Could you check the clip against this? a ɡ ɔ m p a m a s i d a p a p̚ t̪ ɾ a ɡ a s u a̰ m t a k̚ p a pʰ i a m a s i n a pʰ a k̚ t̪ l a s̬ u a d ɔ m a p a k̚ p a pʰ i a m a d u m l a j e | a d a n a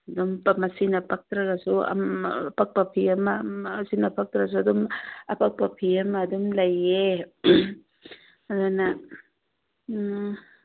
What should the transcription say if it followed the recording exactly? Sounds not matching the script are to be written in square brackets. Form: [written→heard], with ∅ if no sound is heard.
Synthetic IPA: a [ɡ→d] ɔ m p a m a s i [d→n] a p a [p̚→k̚] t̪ ɾ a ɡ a s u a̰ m [t→p] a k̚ p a pʰ i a m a s i n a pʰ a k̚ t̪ [l→ɾ] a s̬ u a d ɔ m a p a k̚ p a pʰ i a m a d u m l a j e | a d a n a